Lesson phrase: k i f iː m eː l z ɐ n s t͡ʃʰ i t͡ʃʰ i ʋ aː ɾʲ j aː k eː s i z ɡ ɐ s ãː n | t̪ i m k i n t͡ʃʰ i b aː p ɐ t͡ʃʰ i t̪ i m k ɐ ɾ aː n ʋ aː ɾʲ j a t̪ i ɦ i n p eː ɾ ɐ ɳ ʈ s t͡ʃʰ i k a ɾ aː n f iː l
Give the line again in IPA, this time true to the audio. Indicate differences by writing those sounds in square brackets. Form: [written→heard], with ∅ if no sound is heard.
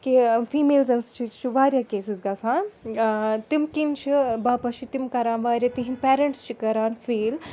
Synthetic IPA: k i f iː m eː l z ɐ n s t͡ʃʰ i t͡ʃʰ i ʋ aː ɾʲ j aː k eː s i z ɡ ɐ s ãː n | t̪ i m k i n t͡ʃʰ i b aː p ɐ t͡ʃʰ i t̪ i m k ɐ ɾ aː n ʋ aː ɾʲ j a t̪ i ɦ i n p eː ɾ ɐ ɳ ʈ s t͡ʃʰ i k [a→ɐ] ɾ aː n f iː l